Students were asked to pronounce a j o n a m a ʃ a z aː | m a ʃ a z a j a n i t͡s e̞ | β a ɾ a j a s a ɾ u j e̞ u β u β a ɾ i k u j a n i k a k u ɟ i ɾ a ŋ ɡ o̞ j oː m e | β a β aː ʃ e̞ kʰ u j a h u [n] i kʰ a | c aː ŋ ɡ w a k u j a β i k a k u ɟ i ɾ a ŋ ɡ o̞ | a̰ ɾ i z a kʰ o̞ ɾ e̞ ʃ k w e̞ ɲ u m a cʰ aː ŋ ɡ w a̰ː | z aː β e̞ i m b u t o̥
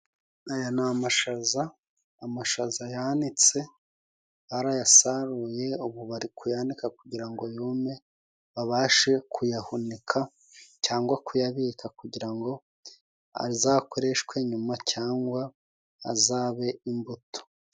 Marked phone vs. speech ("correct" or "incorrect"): correct